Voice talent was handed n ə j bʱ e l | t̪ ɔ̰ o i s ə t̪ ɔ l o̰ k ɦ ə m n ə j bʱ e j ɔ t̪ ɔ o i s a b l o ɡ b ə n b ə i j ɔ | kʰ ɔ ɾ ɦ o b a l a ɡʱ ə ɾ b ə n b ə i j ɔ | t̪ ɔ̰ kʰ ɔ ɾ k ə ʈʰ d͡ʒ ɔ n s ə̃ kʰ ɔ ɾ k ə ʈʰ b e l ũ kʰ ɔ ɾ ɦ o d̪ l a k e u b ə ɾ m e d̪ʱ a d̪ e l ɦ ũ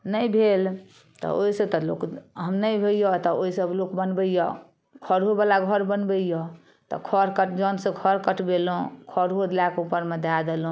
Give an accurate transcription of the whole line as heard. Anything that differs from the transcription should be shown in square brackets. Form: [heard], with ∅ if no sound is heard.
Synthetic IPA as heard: n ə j bʱ e l | t̪ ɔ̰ o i s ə t̪ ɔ l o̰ k ɦ ə m n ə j bʱ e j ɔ t̪ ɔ o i s [ə] b l o [k] b ə n b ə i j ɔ | kʰ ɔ ɾ ɦ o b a l a ɡʱ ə ɾ b ə n b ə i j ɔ | t̪ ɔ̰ kʰ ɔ ɾ k ə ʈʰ d͡ʒ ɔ n s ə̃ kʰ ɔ ɾ k ə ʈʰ b e l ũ kʰ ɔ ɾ ɦ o d̪ l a k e u [p] ə ɾ m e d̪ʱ a d̪ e l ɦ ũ

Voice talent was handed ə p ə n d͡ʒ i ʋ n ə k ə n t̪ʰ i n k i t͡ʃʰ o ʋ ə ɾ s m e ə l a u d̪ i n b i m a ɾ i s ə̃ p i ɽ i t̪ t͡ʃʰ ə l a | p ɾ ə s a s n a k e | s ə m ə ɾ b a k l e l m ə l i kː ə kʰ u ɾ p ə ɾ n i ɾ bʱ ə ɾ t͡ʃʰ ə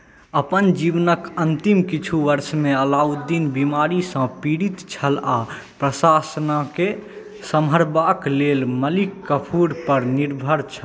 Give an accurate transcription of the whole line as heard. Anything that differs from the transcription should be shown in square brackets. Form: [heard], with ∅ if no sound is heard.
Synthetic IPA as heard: ə p ə n d͡ʒ i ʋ n ə k ə n [t̪] i [m] k i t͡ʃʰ [u] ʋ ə ɾ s m e ə l a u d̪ i n b i m a ɾ i s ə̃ p i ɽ i t̪ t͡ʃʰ ə l a | p ɾ ə s a s n a k e | s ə m ə ɾ b a k l e l m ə l i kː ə [pʰ] u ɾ p ə ɾ n i ɾ bʱ ə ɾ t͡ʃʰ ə

